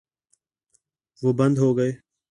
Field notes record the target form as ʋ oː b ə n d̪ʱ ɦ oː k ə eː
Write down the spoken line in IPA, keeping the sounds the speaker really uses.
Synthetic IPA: ʋ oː b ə n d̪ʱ ɦ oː ɡ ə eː